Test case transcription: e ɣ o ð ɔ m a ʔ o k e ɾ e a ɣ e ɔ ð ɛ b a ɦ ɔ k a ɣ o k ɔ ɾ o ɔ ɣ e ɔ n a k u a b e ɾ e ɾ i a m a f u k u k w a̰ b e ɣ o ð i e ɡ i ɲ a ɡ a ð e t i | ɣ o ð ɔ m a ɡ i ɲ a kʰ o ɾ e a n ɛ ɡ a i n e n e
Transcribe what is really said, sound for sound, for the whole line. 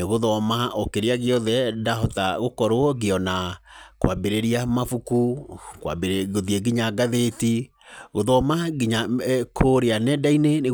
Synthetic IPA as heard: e ɣ o ð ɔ m a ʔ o k e ɾ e a ɣ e ɔ ð ɛ d a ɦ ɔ t a ɣ o k ɔ ɾ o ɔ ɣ e ɔ n a k w a b e ɾ e ɾ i a m a f u k u k w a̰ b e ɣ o ð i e ɡ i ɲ a ɡ a ð e t i | ɣ o ð ɔ m a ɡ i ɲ a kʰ o ɾ e a n ɛ d a i n e n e